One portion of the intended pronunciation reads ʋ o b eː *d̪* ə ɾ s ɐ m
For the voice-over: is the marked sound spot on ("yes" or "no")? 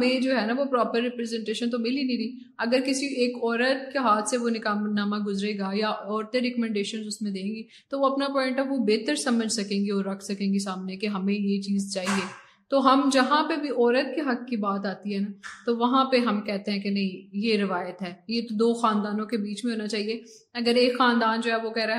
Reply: no